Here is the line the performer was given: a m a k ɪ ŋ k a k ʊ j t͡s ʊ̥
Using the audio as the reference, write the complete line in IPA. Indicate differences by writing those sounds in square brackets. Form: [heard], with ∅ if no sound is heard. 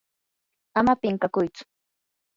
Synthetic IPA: a m a [p] ɪ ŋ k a k ʊ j t͡s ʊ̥